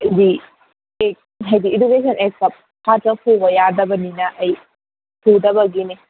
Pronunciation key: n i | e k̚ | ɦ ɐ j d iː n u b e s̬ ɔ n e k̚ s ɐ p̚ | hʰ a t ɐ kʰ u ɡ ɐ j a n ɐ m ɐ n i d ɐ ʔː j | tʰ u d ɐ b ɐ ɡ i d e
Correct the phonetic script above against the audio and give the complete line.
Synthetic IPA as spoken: d i | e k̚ | ɦ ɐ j d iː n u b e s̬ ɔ n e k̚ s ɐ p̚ | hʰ a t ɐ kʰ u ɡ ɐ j a d ɐ b ɐ n i n ɐ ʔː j | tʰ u d ɐ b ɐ ɡ i n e